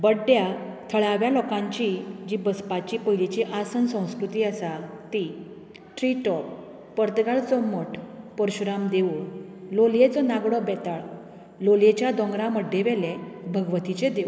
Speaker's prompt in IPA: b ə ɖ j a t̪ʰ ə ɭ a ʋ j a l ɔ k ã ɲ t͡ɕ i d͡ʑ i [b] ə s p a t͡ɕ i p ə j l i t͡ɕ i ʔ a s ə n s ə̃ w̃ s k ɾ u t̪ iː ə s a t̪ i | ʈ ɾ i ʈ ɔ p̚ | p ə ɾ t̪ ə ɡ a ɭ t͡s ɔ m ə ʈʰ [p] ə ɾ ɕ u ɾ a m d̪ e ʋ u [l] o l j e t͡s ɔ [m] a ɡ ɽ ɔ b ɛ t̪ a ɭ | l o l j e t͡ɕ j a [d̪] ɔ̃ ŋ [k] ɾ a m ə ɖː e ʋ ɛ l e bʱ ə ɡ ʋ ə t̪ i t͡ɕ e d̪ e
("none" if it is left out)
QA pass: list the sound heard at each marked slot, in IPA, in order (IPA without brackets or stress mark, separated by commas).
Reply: b, p, l, n, d̪, ɡ